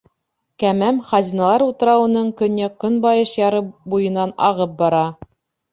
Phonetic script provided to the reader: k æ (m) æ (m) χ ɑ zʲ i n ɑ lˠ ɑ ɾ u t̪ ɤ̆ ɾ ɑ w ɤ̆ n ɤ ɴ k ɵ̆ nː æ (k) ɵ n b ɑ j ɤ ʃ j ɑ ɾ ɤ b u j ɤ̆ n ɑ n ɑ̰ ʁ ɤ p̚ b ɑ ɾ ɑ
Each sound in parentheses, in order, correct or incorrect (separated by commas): correct, correct, correct